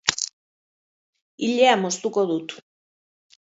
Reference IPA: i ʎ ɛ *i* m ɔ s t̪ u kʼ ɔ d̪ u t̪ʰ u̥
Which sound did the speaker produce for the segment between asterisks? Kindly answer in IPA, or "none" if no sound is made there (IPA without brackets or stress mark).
a